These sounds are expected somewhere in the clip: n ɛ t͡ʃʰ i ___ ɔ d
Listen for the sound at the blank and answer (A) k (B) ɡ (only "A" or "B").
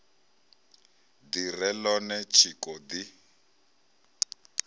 A